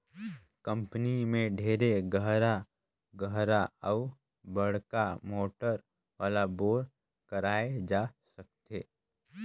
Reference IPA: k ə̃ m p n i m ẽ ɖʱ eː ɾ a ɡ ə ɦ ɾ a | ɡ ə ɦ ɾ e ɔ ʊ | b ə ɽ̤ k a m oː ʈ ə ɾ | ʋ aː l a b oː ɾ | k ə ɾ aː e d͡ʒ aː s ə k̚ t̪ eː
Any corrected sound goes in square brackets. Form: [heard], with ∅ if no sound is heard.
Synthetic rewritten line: k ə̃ m p n i m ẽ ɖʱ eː ɾ [e] ɡ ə ɦ ɾ a | ɡ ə ɦ ɾ [a] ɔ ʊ | b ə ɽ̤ k a m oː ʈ ə ɾ | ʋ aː l a b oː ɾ | k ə ɾ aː e d͡ʒ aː s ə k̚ t̪ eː

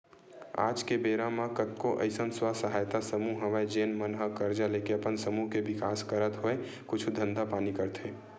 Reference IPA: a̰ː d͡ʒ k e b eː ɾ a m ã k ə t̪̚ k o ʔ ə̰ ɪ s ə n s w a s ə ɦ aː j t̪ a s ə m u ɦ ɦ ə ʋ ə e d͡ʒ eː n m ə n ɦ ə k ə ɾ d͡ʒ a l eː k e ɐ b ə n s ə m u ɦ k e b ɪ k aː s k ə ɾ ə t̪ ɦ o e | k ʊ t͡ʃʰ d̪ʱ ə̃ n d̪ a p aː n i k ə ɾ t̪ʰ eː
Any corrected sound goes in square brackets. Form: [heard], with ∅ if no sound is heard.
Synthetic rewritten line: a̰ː d͡ʒ k e b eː ɾ a m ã k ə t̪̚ k o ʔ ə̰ ɪ s ə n s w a s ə ɦ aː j t̪ a s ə m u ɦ ɦ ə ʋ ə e d͡ʒ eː n m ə n ɦ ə k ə ɾ d͡ʒ a l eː k e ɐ [p] ə n s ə m u ɦ k e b ɪ k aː s k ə ɾ ə t̪ ɦ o e | k ʊ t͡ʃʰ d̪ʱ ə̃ n d̪ a p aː n i k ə ɾ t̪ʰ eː

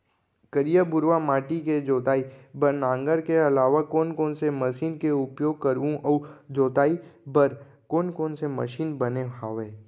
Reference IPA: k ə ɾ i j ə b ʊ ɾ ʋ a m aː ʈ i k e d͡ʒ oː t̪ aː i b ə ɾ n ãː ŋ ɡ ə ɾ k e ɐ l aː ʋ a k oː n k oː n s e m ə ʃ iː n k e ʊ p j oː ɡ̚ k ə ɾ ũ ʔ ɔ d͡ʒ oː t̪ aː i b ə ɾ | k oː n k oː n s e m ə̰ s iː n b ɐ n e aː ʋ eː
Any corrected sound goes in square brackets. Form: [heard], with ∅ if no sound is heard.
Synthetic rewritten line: k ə ɾ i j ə b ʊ ɾ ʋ a m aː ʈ i k e d͡ʒ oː t̪ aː i b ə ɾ n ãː ŋ ɡ ə ɾ k e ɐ l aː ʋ a k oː n k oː n s e m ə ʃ iː n k e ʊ p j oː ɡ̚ k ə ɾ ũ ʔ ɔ d͡ʒ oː t̪ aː i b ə ɾ | k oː n k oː n s e m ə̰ [ʃ] iː n b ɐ n e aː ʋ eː

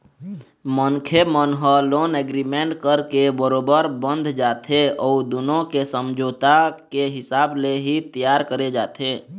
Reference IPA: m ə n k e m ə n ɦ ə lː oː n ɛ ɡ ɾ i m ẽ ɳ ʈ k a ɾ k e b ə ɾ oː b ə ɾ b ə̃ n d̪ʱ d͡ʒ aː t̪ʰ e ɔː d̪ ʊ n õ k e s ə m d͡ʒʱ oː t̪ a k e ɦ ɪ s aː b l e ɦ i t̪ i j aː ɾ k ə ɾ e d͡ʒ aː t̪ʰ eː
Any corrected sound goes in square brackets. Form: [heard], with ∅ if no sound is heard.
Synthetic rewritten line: m ə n [kʰ] e m ə n ɦ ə [l] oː n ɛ ɡ ɾ i m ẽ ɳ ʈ k [ə] ɾ k e b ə ɾ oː b ə ɾ b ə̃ n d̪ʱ d͡ʒ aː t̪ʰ e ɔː d̪ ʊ n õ k e s ə m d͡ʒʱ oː t̪ a k e ɦ ɪ s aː b l e ɦ i t̪ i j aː ɾ k ə ɾ e d͡ʒ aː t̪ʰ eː

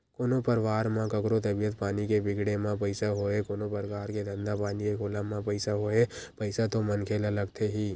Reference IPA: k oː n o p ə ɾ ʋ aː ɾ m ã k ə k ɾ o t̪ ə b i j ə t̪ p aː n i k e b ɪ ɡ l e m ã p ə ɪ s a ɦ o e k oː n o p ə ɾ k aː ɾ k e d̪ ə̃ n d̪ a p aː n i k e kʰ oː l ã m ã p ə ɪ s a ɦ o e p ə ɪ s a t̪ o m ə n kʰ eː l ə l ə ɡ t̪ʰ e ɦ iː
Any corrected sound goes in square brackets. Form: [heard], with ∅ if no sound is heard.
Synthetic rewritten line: k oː n o p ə ɾ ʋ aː ɾ m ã k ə k ɾ o t̪ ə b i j ə t̪ p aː n i k e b ɪ ɡ [ɽ] e m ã p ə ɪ s a ɦ o e k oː n o p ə ɾ k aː ɾ k e d̪ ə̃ n d̪ a p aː n i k e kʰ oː l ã m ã p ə ɪ s a ɦ o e p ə ɪ s a t̪ o m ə n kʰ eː l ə l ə ɡ t̪ʰ e ɦ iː

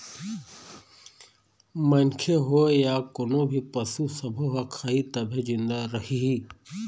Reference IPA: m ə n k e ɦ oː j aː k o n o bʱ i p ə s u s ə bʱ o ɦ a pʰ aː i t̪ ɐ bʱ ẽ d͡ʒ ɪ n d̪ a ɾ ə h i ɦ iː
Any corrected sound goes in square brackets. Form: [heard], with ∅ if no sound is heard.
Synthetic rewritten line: m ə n [kʰ] e ɦ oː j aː k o n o bʱ i p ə s u s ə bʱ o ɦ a [kʰ] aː i t̪ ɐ bʱ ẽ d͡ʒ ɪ n d̪ a ɾ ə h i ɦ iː

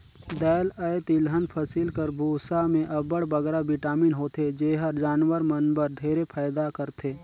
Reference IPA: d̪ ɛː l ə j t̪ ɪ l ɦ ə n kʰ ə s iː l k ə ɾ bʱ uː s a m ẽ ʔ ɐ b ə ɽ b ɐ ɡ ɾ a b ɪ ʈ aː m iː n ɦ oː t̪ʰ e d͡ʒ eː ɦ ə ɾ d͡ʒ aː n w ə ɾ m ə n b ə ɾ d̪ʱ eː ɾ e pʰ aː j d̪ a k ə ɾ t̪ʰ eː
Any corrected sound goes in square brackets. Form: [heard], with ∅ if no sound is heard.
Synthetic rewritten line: d̪ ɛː l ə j t̪ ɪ l ɦ ə n [pʰ] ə s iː l k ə ɾ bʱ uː s a m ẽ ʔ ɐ b ə ɽ b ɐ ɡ ɾ a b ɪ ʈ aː m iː n ɦ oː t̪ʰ e d͡ʒ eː ɦ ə ɾ d͡ʒ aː n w ə ɾ m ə n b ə ɾ d̪ʱ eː ɾ e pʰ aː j d̪ a k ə ɾ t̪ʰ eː

